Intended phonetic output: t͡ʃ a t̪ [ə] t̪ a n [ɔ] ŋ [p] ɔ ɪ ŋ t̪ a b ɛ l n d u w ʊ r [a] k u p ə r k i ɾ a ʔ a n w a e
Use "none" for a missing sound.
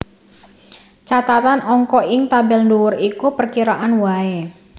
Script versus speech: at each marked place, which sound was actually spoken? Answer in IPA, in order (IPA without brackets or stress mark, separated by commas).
a, ɔ, k, i